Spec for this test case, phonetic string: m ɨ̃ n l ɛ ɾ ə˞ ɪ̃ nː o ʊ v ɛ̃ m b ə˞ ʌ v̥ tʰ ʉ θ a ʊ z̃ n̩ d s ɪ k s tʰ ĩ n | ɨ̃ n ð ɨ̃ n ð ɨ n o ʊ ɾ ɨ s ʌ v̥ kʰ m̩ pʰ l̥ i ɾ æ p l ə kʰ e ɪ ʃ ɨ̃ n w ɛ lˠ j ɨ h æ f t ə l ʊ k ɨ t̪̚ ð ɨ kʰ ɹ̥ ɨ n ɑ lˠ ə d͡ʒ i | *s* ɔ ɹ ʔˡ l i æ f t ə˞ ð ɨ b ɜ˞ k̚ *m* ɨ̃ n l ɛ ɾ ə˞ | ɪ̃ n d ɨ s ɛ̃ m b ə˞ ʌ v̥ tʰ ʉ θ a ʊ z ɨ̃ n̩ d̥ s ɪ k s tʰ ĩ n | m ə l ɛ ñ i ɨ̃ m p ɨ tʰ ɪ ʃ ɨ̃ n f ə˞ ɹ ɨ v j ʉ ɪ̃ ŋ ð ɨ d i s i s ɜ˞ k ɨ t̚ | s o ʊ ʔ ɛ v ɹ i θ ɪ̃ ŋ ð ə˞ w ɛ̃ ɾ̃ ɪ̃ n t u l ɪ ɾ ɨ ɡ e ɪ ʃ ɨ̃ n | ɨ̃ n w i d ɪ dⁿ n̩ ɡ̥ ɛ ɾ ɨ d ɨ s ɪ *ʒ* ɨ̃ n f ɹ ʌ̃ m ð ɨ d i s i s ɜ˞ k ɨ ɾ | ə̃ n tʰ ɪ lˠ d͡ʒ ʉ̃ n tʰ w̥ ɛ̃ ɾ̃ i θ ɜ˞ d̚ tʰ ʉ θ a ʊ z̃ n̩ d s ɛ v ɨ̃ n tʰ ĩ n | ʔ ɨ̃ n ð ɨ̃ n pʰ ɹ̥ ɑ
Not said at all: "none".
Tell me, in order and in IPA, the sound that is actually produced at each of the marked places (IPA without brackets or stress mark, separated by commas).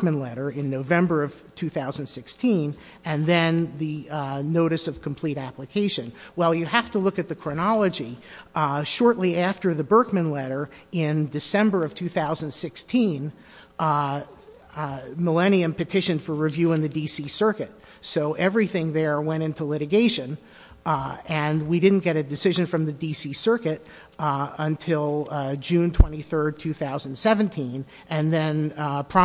ʃ, m, ʒ